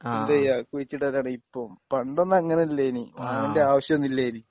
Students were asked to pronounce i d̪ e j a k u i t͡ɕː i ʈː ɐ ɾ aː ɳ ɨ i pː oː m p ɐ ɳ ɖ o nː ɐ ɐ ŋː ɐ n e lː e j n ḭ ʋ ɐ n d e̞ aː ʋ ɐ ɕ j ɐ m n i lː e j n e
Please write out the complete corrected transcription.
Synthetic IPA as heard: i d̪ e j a k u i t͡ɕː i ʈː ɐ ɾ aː ɳ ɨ i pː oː m p ɐ ɳ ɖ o nː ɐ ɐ ŋː ɐ n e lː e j n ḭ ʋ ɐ n d e̞ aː ʋ ɐ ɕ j ɐ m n i lː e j n i